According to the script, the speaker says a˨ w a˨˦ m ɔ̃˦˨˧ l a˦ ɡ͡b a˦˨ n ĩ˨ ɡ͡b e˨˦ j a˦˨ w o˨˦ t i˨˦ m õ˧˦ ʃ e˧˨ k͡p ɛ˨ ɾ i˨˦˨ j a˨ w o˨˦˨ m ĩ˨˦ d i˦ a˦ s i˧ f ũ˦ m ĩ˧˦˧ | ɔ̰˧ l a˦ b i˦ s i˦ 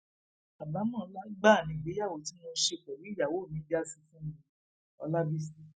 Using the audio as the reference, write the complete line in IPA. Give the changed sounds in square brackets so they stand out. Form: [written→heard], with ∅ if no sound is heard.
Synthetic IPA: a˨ [w→b] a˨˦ m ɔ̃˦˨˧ l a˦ ɡ͡b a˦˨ n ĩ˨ ɡ͡b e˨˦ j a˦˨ w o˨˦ t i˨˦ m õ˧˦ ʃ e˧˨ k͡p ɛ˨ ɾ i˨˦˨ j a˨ w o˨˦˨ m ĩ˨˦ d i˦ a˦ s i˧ f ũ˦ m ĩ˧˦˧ | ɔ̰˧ l a˦ b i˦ s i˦